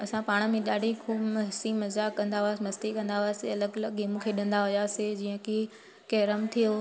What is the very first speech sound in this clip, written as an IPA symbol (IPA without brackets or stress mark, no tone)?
ɐ